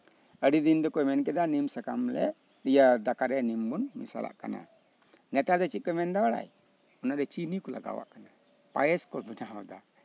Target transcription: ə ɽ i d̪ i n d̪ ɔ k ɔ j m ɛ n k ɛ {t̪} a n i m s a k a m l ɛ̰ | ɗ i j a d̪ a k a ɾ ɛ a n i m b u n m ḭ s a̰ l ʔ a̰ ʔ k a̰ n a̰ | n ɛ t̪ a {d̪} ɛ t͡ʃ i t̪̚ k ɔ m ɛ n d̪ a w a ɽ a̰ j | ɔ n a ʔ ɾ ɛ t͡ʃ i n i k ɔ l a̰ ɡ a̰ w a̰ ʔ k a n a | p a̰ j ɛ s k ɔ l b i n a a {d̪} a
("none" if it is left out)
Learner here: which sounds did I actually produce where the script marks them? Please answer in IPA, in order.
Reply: d̪, d̪, d̪

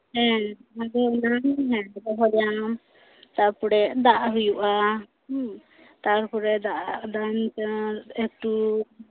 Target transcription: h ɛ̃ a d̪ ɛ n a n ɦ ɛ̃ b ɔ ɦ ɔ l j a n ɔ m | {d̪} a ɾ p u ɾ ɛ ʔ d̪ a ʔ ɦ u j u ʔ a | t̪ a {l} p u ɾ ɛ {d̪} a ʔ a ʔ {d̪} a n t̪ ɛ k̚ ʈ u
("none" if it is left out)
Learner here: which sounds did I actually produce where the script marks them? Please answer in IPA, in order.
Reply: t̪, ɾ, d̪, d̪

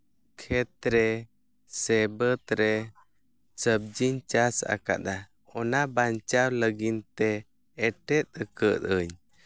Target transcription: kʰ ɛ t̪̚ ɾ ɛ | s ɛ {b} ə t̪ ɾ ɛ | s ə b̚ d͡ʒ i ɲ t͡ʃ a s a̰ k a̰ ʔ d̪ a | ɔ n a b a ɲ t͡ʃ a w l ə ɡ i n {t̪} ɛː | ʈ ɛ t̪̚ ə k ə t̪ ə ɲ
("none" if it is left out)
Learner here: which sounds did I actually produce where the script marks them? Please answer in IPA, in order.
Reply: b, t̪

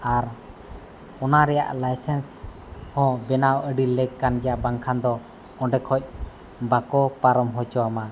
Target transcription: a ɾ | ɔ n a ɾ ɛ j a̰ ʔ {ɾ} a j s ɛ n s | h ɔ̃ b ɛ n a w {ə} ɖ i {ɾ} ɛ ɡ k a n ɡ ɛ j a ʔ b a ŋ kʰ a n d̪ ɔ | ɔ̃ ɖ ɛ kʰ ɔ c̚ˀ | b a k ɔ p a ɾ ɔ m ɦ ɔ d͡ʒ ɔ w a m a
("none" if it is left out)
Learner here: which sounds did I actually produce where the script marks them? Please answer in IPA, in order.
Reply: l, ə, l

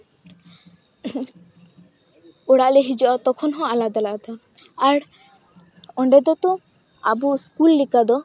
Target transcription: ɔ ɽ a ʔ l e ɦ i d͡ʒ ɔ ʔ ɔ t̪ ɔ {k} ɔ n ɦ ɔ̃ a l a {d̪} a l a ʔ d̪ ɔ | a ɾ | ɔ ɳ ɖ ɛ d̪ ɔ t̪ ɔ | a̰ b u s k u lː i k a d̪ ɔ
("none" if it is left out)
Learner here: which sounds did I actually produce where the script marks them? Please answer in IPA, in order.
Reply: kʰ, d̪

